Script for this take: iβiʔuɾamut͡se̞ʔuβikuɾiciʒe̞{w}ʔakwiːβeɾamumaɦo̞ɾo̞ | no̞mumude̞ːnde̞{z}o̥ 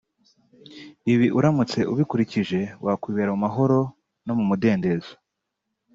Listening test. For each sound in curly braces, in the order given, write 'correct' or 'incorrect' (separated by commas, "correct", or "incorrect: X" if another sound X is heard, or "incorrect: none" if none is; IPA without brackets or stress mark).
correct, correct